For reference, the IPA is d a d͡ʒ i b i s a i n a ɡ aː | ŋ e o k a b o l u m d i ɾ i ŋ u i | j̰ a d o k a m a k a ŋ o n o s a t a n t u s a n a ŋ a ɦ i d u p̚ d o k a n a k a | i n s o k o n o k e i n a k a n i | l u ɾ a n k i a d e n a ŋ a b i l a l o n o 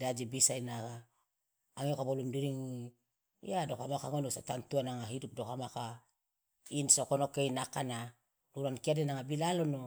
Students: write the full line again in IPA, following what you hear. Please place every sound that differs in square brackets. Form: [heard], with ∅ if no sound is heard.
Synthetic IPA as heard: d a d͡ʒ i b i s a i n a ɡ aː | ŋ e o k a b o l u m d i ɾ i ŋ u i | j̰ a d o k a m a k a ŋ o n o s a t a n t u [∅] a n a ŋ a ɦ i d u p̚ d o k a [m] a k a | i n s o k o n o k e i n a k a n [a] | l u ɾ a n k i a d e n a ŋ a b i l a l o n o